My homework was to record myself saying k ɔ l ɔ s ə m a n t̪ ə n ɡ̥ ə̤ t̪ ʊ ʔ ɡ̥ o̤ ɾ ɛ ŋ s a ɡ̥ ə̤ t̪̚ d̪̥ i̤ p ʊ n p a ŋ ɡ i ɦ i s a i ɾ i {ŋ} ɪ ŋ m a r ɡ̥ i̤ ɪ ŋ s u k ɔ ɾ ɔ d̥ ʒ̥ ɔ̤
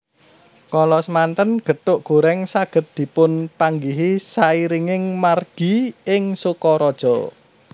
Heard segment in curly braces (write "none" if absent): ŋ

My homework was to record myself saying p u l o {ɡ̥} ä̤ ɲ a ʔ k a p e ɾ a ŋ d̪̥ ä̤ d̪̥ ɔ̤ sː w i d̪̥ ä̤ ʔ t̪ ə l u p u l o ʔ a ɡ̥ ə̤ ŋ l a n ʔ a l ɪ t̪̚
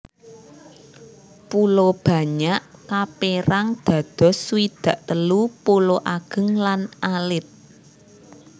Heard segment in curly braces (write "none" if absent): b̥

